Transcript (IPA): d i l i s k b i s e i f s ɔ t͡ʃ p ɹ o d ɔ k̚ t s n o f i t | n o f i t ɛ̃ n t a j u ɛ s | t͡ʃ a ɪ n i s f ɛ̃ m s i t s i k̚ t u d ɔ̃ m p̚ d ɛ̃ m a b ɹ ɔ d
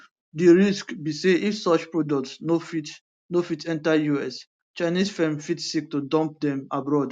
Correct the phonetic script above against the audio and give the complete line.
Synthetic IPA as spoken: d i ɹ i s k b i s e i f s ɔ t͡ʃ p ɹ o d ɔ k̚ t s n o f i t | n o f i t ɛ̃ n t a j u ɛ s | t͡ʃ a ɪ n i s f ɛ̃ m f i t s i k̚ t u d ɔ̃ m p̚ d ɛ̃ m a b ɹ ɔ d